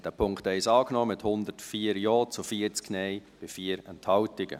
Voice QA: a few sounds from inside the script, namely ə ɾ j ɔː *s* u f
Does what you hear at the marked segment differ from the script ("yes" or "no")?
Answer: yes